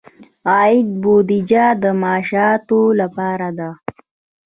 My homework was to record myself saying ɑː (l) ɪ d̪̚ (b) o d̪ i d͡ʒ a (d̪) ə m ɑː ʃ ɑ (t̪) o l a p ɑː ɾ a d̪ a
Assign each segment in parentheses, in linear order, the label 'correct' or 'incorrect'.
incorrect: none, correct, correct, correct

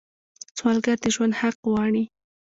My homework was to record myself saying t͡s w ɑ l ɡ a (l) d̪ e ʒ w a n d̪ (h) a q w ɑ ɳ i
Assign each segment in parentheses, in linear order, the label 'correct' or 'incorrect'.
incorrect: ɾ, correct

